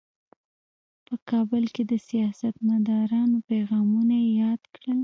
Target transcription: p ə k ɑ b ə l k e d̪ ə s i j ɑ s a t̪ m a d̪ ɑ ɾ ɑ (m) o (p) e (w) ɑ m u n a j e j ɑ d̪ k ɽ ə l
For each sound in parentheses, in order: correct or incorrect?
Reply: incorrect, correct, incorrect

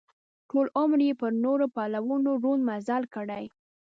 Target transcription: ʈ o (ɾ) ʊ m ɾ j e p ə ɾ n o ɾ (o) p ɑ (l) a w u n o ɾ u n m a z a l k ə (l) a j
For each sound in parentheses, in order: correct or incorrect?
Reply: incorrect, correct, correct, incorrect

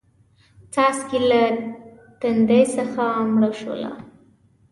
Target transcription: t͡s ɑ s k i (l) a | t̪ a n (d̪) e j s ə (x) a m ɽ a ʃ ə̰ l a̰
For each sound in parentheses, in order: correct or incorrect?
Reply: correct, correct, correct

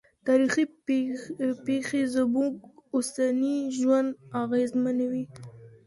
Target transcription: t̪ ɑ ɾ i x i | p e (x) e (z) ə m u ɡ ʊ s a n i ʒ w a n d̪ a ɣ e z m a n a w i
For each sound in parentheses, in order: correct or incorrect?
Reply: correct, correct

